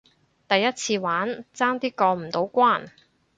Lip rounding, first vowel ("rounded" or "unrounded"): unrounded